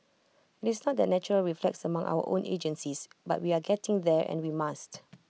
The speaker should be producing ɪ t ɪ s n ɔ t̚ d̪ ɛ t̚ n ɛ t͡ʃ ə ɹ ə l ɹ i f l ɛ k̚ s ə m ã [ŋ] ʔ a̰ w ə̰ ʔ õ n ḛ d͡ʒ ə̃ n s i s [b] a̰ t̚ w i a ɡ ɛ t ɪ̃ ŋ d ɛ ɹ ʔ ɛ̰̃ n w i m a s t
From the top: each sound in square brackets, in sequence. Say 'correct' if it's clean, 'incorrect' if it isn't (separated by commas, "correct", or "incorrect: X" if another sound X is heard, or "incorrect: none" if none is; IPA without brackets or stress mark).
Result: correct, correct